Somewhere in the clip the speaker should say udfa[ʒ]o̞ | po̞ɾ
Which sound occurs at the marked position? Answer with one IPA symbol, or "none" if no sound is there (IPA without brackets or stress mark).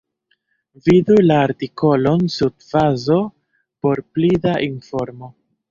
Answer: z